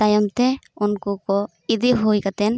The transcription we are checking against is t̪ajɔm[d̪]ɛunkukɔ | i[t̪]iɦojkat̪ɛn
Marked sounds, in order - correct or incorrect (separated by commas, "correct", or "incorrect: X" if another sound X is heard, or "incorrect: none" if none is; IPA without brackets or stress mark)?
incorrect: t̪, incorrect: d̪